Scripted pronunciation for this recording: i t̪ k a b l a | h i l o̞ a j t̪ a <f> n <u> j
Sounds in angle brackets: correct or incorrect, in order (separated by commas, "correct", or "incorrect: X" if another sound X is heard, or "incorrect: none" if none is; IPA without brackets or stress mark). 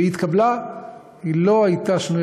incorrect: ʃ, correct